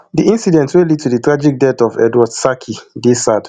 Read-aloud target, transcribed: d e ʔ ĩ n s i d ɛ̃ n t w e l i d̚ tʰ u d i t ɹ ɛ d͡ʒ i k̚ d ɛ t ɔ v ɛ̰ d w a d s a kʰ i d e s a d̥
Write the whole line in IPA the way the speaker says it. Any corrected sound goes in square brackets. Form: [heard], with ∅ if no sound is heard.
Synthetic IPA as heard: d [i] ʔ ĩ n s i d ɛ̃ n t w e l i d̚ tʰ u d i t ɹ [a] d͡ʒ i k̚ d ɛ t ɔ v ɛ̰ d w a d s a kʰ i d e s a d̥